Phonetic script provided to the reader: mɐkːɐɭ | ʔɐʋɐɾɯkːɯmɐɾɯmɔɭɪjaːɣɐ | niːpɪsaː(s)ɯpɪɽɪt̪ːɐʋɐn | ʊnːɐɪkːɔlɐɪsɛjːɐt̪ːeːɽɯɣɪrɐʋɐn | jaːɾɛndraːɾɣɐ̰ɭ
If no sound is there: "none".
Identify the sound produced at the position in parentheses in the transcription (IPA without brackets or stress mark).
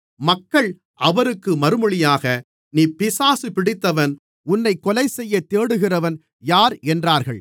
s